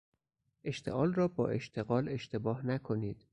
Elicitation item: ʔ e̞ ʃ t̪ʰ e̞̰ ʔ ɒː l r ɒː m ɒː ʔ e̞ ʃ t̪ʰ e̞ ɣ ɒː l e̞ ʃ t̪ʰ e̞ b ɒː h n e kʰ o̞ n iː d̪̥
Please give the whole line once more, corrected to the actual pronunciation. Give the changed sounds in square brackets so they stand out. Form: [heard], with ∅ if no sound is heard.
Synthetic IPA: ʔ e̞ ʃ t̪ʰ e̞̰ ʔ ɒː l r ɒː [b] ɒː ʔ e̞ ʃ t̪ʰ e̞ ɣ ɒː l e̞ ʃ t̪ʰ e̞ b ɒː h n [æ] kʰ o̞ n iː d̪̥